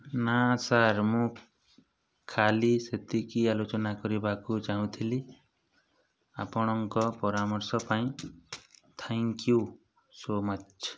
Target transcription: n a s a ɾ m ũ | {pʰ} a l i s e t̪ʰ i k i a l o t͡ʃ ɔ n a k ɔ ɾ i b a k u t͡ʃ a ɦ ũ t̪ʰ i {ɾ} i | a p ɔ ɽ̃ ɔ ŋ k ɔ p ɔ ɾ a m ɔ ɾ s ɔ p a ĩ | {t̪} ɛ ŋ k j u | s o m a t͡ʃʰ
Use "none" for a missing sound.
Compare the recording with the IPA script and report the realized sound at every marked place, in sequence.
kʰ, l, t̪ʰ

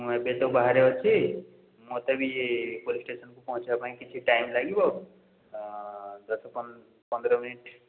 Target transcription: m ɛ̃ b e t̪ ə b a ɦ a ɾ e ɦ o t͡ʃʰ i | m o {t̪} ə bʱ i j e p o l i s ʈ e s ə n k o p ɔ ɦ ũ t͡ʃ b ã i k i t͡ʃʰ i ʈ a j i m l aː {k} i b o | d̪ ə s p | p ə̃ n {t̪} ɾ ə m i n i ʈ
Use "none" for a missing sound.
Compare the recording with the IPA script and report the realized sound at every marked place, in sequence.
t̪, ɡ, d̪

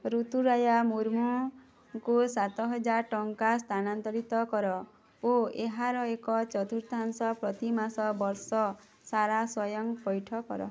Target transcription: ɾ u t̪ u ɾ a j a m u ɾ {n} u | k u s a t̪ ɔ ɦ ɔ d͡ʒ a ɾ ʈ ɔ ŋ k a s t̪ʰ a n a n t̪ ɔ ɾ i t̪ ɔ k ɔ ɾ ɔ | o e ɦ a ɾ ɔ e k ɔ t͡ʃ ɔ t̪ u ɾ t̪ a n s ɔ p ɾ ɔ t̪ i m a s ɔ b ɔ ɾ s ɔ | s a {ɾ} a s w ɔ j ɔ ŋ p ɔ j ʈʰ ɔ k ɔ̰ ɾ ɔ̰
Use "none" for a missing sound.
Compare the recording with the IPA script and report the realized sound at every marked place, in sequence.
m, ɾ

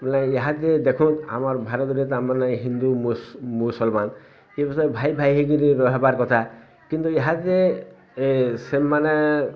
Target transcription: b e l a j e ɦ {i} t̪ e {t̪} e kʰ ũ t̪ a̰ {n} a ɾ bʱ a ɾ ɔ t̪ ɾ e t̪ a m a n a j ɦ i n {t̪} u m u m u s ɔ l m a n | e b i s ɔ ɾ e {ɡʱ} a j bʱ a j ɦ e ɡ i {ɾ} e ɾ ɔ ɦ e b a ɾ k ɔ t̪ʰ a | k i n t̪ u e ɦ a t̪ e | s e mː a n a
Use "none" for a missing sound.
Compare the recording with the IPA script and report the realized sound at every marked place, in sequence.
a, d̪, m, d̪, bʱ, ɾ

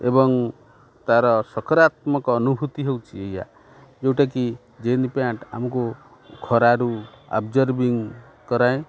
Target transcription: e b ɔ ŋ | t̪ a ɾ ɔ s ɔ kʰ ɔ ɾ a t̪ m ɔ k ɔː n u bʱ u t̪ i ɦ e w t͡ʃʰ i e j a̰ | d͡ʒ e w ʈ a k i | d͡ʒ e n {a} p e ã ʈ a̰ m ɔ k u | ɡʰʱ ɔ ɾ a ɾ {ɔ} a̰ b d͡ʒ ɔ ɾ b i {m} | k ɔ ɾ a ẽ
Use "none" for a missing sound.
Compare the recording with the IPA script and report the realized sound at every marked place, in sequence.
i, u, ŋ

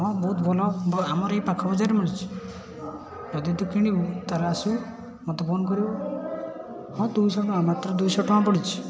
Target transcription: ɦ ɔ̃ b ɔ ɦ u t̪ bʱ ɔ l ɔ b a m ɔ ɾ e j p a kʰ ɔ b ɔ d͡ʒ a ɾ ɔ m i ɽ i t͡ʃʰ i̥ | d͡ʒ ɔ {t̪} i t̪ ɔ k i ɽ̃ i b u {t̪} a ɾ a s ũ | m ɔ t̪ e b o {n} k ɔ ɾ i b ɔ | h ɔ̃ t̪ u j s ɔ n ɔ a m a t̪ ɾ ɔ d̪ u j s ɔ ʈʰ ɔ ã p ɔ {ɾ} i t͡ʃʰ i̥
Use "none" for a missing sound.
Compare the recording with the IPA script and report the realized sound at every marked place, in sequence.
d̪, t̪, n, ɽ

